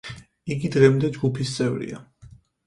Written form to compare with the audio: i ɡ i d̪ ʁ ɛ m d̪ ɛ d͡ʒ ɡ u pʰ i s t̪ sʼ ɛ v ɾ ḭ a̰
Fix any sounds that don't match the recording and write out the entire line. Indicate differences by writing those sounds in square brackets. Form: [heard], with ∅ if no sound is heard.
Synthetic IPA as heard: i ɡ i d̪ ʁ ɛ m d̪ ɛ d͡ʒ ɡ u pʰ i s t̪ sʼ ɛ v ɾ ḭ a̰